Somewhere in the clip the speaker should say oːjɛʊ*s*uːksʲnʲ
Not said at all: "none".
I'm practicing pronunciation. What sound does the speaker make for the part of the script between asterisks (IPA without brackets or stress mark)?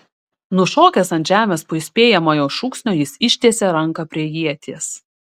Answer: ʃ